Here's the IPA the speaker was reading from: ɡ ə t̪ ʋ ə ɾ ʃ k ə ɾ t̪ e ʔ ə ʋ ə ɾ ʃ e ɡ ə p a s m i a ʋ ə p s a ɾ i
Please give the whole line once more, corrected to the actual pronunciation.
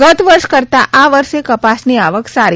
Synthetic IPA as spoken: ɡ ə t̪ ʋ ə ɾ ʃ k ə ɾ t̪ a ʔ a ʋ ə ɾ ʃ e k ə p a s n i a ʋ ə k s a ɾ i